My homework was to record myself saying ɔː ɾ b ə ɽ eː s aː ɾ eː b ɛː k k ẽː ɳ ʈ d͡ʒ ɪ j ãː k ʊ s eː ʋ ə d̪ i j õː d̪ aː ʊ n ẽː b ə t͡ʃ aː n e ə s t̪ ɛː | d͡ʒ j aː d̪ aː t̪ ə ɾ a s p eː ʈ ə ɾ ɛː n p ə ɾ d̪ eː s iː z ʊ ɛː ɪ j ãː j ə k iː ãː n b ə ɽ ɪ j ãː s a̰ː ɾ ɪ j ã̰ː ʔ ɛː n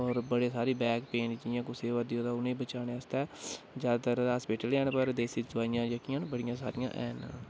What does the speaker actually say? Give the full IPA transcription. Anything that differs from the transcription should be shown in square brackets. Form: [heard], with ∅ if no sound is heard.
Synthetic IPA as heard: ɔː ɾ b ə ɽ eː s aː ɾ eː b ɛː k [p] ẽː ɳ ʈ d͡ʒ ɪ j ãː k ʊ s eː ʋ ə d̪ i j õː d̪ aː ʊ n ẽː b ə t͡ʃ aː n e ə s t̪ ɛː | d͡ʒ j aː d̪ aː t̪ ə ɾ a s p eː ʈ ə [l] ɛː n p ə ɾ d̪ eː s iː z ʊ [aː] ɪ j ãː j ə k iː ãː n b ə ɽ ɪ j ãː s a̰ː ɾ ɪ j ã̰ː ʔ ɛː n

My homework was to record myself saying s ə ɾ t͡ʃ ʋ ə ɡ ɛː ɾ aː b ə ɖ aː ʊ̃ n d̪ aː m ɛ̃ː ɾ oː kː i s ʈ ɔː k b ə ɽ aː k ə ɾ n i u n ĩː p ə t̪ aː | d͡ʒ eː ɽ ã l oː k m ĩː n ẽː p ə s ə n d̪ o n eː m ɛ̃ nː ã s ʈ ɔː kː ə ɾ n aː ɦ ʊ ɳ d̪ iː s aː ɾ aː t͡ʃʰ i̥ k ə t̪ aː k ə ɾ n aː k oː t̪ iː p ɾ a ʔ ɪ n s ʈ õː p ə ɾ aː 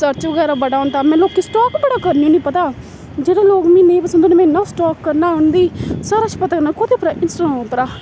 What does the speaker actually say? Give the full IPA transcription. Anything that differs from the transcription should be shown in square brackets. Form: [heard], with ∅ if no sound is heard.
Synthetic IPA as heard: s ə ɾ t͡ʃ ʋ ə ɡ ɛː ɾ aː b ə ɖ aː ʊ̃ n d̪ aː m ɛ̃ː [l] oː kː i s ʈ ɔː k b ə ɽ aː k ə ɾ n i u n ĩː p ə t̪ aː | d͡ʒ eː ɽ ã l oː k m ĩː n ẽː p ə s ə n d̪ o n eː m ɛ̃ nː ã s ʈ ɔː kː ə ɾ n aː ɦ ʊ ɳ d̪ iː s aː ɾ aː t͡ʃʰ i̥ [p] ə t̪ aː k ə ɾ n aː k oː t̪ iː p ɾ a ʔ ɪ n s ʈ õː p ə ɾ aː

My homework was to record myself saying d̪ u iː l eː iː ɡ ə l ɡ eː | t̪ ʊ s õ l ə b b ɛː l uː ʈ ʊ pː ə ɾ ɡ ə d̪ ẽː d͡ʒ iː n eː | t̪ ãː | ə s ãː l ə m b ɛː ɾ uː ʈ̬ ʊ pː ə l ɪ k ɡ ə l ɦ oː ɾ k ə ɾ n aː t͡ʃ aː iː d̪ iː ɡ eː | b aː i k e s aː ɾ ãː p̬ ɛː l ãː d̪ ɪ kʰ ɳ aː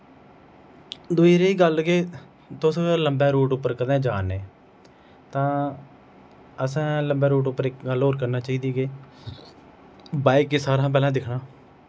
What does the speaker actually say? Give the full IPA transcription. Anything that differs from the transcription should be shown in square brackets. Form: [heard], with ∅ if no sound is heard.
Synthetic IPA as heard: d̪ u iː [ɾ] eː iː ɡ ə l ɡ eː | t̪ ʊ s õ l ə [m] b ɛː [ɾ] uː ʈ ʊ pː ə ɾ [k] ə d̪ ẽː d͡ʒ [aː] n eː | t̪ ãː | ə s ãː l ə m b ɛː ɾ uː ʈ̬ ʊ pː ə [ɾ] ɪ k ɡ ə l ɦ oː ɾ k ə ɾ n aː t͡ʃ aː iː d̪ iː ɡ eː | b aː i k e s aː ɾ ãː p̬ ɛː l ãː d̪ ɪ kʰ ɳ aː

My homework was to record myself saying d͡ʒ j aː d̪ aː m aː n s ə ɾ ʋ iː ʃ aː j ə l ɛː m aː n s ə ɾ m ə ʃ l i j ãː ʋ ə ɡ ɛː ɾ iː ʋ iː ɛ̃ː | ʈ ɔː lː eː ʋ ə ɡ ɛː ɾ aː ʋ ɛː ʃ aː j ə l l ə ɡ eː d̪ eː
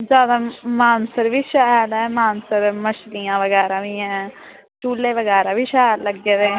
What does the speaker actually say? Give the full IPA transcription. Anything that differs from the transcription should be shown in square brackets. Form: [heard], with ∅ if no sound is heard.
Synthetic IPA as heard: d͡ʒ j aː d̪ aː m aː n s ə ɾ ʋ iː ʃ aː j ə l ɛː m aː n s ə ɾ m ə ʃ l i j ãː ʋ ə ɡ ɛː ɾ [aː] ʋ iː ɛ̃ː | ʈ [uː] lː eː ʋ ə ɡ ɛː ɾ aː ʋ [iː] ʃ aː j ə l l ə ɡ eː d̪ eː

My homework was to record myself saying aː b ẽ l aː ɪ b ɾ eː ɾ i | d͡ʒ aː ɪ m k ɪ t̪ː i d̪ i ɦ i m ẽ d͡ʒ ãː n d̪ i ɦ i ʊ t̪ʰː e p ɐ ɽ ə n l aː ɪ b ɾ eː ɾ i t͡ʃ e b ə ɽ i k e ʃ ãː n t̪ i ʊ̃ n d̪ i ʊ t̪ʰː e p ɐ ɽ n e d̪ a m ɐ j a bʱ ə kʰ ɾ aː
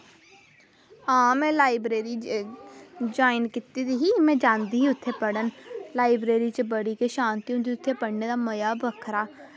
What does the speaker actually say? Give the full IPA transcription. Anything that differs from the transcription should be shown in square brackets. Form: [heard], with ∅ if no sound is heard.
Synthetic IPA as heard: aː [m] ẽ l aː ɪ b ɾ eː ɾ i | d͡ʒ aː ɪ [n] k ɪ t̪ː i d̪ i ɦ i m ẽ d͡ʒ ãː n d̪ i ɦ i ʊ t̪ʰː e p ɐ ɽ ə n l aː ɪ b ɾ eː ɾ i t͡ʃ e b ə ɽ i k e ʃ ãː n t̪ i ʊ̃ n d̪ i ʊ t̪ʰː e p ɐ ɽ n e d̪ a m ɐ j a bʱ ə kʰ ɾ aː

